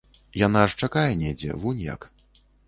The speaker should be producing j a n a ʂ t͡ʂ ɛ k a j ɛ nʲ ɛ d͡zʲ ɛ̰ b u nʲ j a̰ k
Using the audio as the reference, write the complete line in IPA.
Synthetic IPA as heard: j a n a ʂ t͡ʂ a k a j ɛ nʲ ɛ d͡zʲ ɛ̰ v u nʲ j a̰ k